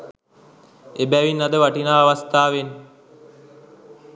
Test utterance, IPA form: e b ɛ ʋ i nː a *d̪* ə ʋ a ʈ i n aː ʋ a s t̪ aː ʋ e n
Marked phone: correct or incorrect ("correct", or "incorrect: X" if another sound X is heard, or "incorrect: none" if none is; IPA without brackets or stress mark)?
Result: correct